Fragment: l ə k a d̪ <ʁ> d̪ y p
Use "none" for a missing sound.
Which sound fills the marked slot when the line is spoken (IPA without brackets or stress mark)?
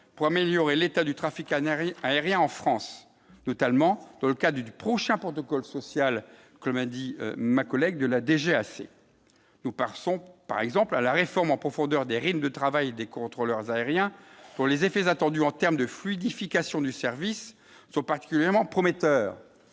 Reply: ʁ